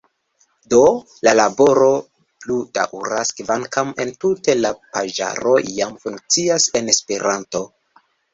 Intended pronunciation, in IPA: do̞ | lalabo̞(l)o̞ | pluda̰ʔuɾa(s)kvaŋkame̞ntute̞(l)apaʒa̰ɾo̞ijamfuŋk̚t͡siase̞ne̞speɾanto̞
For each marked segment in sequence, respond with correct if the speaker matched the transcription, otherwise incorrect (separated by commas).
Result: incorrect, correct, correct